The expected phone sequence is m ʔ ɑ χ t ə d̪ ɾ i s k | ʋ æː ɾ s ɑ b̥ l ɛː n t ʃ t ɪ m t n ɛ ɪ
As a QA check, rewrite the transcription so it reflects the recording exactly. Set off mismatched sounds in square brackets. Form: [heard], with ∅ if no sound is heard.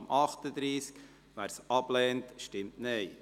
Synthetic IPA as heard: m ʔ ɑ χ t ə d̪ ɾ [iː] s k | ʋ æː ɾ s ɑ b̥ l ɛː n t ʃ t ɪ m t n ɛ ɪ

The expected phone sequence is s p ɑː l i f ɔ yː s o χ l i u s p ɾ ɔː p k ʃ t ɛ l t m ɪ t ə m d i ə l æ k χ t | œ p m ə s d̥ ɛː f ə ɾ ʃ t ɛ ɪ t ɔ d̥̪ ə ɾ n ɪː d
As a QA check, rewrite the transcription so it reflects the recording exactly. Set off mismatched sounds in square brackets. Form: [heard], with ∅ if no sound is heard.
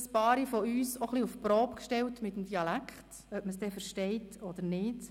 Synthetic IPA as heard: s p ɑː [ɾ] i f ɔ yː s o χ l i u [f] p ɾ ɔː p k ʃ t ɛ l t m ɪ t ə m d i [ɑ] l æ k χ t | œ p m ə s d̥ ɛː f ə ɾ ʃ t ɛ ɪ t ɔ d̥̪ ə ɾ n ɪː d

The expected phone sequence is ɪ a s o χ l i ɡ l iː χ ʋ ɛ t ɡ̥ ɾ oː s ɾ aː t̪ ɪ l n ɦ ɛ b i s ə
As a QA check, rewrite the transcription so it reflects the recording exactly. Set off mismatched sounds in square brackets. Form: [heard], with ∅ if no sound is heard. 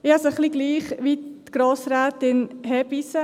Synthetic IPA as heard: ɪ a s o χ l i ɡ l iː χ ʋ [i] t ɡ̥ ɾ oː s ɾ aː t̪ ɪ [∅] n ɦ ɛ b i s ə

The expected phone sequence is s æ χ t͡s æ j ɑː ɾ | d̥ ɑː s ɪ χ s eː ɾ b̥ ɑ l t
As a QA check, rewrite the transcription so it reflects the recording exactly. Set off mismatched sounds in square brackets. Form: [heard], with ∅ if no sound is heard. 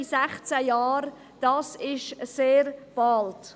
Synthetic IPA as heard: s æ χ t͡s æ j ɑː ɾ | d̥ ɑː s ɪ [ʃ] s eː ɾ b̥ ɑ l t

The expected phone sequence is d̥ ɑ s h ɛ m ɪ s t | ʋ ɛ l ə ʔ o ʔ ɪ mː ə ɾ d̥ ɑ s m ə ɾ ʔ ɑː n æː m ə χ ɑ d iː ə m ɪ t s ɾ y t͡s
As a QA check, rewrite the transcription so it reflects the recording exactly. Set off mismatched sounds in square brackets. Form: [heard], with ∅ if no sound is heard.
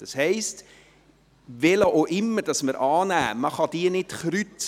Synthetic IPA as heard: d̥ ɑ s h ɛ [∅] ɪ s t | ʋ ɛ l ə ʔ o ʔ ɪ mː ə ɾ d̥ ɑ s m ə ɾ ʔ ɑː n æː m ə χ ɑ d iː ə [n] ɪ t [χ] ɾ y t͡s

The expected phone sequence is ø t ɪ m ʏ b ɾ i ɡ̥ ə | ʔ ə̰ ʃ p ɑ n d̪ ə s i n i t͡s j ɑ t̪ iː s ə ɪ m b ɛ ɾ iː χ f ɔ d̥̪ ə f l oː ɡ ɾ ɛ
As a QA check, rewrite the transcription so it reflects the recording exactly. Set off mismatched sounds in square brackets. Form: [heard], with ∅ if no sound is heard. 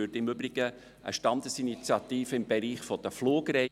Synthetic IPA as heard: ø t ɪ m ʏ b ɾ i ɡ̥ ə | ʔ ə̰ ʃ [t] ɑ n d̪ ə s i n i t͡s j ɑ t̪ iː [f] ə ɪ m b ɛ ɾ iː χ f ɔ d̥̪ ə f l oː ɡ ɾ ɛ

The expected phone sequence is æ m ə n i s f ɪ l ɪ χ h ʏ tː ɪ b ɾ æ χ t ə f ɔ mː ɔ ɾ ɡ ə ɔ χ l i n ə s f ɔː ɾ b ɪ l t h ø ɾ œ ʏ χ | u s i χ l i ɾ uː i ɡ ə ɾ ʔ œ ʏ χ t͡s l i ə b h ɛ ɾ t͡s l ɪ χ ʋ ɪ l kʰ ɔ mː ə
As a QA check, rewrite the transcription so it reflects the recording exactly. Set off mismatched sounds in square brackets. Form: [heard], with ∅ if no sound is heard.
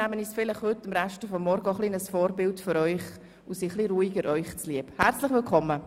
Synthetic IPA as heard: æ m ə n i s f ɪ l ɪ χ h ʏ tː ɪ [m] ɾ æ [ʃ] t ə f ɔ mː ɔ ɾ ɡ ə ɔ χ l i n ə s f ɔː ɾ b ɪ l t [f] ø ɾ œ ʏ χ | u s i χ l i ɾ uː i ɡ ə ɾ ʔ œ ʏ χ t͡s l i ə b h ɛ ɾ t͡s l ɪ χ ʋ ɪ l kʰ ɔ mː ə

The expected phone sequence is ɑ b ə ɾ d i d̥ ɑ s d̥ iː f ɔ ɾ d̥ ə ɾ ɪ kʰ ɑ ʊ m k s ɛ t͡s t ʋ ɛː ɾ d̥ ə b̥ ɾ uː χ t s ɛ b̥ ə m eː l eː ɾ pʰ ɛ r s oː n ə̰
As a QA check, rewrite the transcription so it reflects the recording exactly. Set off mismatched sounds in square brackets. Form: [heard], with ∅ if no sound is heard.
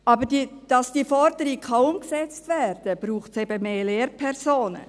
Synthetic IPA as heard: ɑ b ə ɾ d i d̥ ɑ s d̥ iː f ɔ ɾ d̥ ə ɾ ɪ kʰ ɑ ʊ m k s ɛ t͡s t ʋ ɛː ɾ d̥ ə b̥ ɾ uː χ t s ɛ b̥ ə m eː l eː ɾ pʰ ɛ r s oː n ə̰

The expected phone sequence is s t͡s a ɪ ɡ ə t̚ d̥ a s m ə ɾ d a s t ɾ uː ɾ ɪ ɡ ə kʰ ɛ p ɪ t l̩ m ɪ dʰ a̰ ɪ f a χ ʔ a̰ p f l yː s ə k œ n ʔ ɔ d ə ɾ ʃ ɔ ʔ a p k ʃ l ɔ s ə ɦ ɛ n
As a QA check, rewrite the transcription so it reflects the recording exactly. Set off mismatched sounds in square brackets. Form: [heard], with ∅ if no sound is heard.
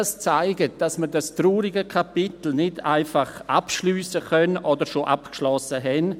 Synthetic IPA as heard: s t͡s a ɪ ɡ ə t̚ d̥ a s m ə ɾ d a s t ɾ uː ɾ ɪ ɡ ə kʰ [a] p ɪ t l̩ [n] ɪ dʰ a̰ ɪ f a χ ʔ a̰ p [ʃ] l yː s ə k œ n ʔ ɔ d ə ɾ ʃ [o] ʔ a p k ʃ l ɔ s ə ɦ ɛ n

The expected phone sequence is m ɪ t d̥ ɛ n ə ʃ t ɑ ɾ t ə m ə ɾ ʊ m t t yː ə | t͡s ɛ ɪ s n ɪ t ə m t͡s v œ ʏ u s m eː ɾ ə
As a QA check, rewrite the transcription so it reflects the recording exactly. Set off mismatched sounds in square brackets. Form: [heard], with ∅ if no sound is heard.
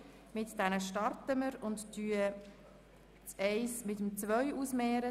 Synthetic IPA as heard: m ɪ t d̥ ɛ n ə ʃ t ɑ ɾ t ə m ə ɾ ʊ [n] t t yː ə | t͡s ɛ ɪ s [m] ɪ t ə m t͡s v œ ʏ u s m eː ɾ ə

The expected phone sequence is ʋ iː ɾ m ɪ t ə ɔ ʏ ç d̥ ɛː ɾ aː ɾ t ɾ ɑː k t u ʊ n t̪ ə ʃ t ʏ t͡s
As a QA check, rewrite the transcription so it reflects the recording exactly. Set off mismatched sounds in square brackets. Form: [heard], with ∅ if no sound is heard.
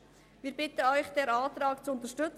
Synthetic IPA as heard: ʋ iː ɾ [b] ɪ t ə ɔ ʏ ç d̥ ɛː ɾ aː [∅] t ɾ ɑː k [t͡s] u ʊ n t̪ ə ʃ t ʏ t͡s

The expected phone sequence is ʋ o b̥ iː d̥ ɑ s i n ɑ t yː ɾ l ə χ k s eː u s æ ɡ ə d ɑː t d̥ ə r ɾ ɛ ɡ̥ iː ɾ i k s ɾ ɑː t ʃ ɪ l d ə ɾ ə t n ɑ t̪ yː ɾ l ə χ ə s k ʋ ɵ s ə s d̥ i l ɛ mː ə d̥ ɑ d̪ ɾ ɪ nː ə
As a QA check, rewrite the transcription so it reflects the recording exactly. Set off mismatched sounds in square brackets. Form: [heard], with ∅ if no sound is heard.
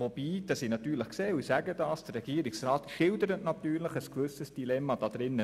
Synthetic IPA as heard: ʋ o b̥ iː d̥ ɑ s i n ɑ t yː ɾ l ə χ k s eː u s æ ɡ ə d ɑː [s] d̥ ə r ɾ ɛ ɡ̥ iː ɾ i k s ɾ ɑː t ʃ ɪ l d ə ɾ ə t n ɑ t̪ yː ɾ l ə χ ə s k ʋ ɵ s ə s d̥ i l ɛ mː [ɑ] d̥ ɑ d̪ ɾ ɪ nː ə

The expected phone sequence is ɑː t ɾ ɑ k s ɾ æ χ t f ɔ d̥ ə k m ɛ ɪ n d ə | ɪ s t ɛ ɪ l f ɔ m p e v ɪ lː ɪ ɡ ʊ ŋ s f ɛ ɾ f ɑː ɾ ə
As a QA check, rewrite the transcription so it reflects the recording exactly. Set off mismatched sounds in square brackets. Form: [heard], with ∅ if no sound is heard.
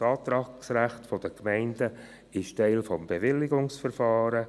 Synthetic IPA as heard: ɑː t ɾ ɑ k s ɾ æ χ t f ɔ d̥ ə k m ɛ ɪ n d ə | ɪ [ʃ] t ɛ ɪ l f ɔ m [b] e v ɪ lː ɪ ɡ ʊ ŋ s f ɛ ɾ f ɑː ɾ ə

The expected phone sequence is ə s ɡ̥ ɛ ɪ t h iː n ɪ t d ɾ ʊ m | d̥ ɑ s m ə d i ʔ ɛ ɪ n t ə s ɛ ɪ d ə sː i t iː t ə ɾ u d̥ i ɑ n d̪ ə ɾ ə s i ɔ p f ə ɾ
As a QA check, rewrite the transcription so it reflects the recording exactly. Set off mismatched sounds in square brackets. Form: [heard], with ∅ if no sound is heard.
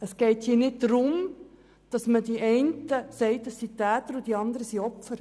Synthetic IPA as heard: ə s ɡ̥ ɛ ɪ t h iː n ɪ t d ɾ ʊ m | d̥ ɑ s m ə d i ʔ ɛ ɪ n t ə s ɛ ɪ [t] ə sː i t [æː] t ə ɾ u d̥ i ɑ n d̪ ə ɾ ə s i ɔ p f ə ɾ

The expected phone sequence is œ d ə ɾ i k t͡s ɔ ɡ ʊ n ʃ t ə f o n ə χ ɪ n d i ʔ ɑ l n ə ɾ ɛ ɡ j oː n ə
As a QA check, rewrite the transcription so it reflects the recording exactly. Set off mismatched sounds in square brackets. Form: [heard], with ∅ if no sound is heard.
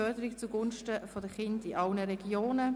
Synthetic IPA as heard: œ d ə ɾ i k t͡s [u] ɡ ʊ n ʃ t ə f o [d] ə χ ɪ n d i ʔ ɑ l n ə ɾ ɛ ɡ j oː n ə

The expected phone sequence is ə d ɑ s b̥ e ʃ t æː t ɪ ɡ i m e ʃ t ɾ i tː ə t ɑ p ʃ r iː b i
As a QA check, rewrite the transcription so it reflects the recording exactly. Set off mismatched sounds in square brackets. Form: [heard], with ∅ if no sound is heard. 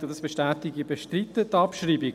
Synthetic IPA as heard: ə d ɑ s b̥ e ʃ t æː t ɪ ɡ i [b] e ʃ t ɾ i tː ə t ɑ p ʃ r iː b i

